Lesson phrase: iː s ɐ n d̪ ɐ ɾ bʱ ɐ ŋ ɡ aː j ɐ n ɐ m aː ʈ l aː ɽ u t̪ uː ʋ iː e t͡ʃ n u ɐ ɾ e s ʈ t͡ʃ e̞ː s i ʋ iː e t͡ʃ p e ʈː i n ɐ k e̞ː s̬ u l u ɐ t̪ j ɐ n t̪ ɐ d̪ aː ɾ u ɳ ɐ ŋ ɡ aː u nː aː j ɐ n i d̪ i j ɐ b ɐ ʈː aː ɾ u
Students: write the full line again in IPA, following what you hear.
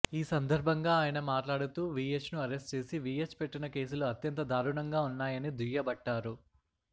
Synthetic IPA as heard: iː s ɐ n d̪ ɐ ɾ bʱ ɐ ŋ ɡ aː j ɐ n ɐ m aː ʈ l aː ɽ u t̪ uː ʋ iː e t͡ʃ n u ɐ ɾ e s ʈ t͡ʃ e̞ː s i ʋ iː e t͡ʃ p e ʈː i n ɐ k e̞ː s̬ u l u ɐ t̪ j ɐ n t̪ ɐ d̪ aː ɾ u ɳ ɐ ŋ ɡ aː u nː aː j ɐ n i d̪ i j ɐ b ɐ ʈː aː ɾ u